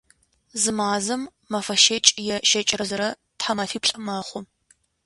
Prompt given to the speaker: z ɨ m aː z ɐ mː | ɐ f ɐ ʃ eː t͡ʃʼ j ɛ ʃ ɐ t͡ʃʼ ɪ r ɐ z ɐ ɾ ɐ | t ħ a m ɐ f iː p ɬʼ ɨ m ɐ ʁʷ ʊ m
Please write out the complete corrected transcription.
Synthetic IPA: z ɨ m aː z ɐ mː | ɐ f ɐ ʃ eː t͡ʃʼ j ɛ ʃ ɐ t͡ʃʼ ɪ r ɐ z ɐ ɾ ɐ | t ħ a m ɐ f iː p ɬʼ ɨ m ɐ χʷ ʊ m